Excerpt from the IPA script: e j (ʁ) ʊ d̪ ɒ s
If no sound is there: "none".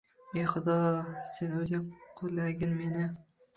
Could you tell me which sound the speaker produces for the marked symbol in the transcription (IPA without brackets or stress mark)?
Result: χ